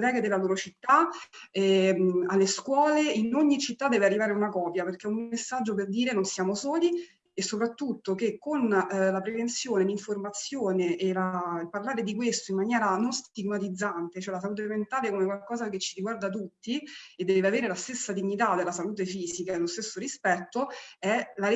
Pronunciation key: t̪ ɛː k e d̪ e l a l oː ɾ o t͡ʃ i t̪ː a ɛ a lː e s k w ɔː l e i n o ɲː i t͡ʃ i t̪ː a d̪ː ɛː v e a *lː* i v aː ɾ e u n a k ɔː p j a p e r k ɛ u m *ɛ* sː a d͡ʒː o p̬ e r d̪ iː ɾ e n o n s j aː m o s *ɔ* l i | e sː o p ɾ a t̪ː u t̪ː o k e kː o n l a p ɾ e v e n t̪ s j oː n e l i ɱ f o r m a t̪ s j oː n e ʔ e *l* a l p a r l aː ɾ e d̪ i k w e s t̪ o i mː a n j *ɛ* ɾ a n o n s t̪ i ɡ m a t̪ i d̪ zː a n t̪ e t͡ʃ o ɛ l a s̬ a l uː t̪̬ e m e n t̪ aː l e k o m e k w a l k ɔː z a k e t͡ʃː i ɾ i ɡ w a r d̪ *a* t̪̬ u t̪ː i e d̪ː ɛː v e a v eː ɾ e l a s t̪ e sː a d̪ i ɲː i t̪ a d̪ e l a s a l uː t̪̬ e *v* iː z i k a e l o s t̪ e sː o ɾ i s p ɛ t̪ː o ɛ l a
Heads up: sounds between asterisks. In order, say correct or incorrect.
incorrect, incorrect, incorrect, correct, incorrect, correct, incorrect

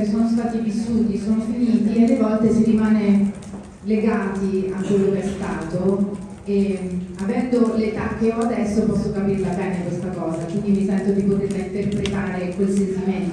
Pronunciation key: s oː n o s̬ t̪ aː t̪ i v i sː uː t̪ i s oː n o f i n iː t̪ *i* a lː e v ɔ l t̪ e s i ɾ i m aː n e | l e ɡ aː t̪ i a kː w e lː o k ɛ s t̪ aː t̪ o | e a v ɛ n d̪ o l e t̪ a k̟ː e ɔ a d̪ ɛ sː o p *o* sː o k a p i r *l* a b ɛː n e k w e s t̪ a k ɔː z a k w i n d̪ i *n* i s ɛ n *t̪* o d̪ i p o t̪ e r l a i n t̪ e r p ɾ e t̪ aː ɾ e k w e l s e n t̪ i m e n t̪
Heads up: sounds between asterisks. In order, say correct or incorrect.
correct, incorrect, correct, incorrect, correct

